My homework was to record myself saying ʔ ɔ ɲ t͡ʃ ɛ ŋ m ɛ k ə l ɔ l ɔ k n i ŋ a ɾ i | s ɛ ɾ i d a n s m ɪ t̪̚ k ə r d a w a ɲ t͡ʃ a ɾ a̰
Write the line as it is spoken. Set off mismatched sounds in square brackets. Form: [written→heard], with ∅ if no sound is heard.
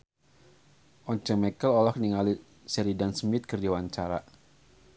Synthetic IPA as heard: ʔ ɔ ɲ t͡ʃ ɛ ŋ m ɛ k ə l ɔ l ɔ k n i ŋ a [ɾ→l] i | s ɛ ɾ i d a n s m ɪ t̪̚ k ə r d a w a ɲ t͡ʃ a ɾ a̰